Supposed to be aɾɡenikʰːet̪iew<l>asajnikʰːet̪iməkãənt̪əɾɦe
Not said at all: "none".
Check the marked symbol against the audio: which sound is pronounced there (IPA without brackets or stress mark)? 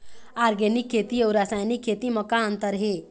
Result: ɾ